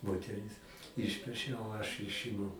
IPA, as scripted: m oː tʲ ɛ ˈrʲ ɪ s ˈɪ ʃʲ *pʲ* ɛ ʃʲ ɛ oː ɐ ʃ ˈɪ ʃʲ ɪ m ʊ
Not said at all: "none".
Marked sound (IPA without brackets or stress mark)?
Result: pʲ